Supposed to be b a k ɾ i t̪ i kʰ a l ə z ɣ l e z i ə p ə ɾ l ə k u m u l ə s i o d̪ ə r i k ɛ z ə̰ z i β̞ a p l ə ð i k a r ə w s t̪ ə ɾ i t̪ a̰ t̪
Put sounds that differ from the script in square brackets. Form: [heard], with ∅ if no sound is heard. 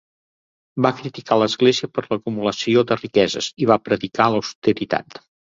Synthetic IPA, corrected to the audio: b a k ɾ i t̪ i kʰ a l ə z ɣ l e z i ə p ə ɾ l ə k u m u l ə s i o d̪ ə r i k ɛ z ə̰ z i β̞ a p [ɾ] ə ð i k a [l] ə w s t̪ ə ɾ i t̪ a̰ t̪